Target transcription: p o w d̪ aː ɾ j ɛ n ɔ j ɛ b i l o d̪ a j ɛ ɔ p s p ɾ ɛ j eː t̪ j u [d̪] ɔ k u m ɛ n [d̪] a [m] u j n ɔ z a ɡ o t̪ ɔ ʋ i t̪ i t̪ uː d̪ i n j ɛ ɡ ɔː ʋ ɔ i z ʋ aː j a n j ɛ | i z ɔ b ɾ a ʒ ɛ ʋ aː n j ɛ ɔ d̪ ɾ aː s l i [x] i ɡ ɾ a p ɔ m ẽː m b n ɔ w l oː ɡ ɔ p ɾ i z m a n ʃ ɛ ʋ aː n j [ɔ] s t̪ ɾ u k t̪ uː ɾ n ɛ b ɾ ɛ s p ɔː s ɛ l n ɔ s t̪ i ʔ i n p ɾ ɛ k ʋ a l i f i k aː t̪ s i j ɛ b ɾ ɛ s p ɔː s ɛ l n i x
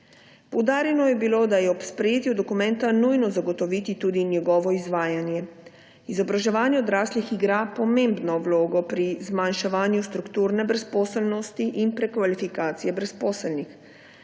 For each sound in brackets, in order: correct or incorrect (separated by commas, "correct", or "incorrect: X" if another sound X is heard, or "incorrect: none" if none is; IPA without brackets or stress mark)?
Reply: correct, incorrect: t̪, incorrect: n, correct, incorrect: u